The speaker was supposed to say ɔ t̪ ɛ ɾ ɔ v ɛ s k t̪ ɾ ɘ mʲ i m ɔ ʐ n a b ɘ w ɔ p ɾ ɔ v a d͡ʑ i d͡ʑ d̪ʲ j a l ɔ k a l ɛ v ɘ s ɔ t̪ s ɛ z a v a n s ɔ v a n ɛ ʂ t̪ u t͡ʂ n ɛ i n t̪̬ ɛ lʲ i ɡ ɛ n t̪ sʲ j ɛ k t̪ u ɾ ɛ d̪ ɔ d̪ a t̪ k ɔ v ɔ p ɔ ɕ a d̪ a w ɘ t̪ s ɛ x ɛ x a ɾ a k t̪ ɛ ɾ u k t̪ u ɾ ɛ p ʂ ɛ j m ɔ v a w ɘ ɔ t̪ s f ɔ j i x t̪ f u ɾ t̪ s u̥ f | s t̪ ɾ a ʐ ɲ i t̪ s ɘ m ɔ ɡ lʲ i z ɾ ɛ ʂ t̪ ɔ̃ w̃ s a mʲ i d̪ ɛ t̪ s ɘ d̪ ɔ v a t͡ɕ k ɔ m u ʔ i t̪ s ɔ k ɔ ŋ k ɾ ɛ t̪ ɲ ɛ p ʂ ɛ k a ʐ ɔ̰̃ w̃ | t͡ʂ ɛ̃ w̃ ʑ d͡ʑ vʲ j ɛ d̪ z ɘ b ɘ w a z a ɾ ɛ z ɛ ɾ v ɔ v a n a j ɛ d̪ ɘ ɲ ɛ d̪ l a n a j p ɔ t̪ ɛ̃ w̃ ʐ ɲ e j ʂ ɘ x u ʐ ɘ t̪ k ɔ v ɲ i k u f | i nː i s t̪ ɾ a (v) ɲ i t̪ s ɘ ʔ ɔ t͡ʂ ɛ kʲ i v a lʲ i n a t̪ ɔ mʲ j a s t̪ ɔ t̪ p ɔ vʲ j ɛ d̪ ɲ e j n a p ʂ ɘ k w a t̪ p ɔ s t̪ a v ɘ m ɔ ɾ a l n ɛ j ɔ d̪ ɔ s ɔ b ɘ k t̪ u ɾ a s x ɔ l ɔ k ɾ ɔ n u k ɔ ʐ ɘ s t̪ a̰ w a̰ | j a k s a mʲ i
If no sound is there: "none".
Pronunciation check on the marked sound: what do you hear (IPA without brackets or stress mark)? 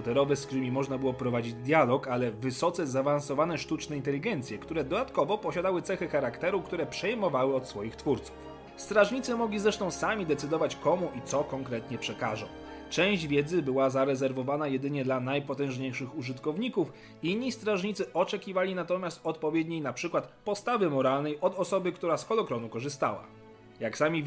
ʐ